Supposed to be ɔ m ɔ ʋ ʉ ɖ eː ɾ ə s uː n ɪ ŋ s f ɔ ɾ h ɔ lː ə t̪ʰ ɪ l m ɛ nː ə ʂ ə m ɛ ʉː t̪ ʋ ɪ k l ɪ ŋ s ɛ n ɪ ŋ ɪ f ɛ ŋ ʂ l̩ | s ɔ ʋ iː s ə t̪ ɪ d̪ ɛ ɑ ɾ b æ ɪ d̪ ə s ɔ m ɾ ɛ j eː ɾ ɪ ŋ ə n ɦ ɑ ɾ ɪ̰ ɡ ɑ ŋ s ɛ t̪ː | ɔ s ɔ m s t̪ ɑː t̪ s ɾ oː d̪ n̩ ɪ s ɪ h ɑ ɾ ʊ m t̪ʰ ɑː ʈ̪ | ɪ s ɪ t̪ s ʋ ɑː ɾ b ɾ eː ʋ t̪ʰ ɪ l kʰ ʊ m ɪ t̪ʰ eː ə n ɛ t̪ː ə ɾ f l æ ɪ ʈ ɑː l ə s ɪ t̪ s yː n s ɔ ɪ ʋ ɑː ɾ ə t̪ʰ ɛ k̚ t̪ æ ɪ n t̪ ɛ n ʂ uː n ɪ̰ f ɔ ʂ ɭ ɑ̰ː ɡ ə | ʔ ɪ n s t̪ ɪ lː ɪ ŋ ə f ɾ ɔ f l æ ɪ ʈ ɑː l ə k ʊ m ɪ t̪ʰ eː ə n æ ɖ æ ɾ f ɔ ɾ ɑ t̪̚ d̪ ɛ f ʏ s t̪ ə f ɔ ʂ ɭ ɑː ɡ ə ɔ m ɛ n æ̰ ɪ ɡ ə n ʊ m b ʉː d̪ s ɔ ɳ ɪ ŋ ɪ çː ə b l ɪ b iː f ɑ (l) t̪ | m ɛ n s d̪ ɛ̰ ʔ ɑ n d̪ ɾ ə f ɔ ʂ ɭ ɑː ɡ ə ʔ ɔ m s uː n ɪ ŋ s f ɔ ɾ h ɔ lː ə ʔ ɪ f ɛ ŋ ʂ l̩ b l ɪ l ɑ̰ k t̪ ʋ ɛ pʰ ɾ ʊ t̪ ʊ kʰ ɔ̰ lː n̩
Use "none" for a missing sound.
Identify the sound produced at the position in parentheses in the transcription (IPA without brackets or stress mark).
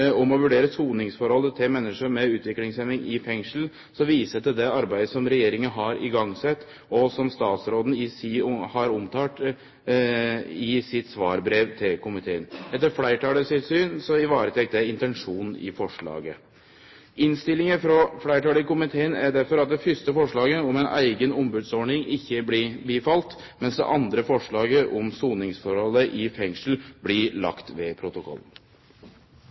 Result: l